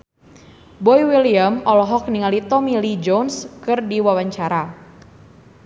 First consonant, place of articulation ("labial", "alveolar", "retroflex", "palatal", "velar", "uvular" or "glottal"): labial